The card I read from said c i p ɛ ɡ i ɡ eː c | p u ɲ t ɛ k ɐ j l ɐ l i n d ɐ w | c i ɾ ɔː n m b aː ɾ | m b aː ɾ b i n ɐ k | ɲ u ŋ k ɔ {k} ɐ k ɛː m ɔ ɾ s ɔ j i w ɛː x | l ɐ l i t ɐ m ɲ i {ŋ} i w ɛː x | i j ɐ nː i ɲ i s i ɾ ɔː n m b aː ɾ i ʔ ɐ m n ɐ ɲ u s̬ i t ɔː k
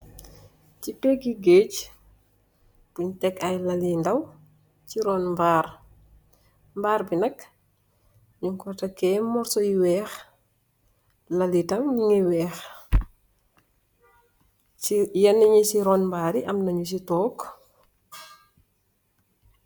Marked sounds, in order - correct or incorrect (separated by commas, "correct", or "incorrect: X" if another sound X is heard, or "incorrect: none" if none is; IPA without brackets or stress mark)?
incorrect: t, correct